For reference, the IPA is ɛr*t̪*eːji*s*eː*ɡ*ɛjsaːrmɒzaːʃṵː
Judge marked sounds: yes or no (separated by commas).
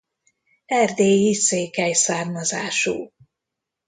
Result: no, yes, no